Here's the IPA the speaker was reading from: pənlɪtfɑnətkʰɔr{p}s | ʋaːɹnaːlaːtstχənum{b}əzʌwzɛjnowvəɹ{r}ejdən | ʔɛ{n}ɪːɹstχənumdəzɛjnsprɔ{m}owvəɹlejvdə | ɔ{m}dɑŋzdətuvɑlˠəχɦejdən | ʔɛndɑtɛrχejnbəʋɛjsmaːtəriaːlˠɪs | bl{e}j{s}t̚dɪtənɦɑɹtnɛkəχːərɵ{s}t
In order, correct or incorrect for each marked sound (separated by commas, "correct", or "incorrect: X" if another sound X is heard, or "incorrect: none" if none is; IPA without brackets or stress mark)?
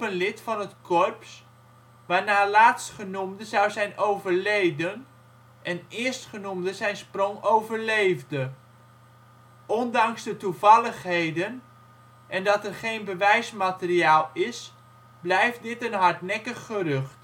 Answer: correct, incorrect: d, incorrect: l, correct, incorrect: ŋ, incorrect: n, incorrect: ɛ, incorrect: f, incorrect: χ